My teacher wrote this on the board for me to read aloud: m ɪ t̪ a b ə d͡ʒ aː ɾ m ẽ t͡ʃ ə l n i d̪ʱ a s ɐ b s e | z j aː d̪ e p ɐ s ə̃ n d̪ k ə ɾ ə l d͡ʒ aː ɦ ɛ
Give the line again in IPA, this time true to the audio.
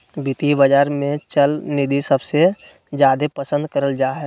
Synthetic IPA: b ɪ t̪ i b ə d͡ʒ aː ɾ m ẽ t͡ʃ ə l n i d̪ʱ i s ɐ b s e | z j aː d̪ e p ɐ s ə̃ n d̪ k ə ɾ ə l d͡ʒ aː ɦ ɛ